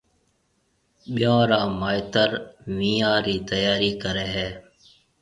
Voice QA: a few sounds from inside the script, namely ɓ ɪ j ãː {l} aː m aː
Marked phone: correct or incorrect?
incorrect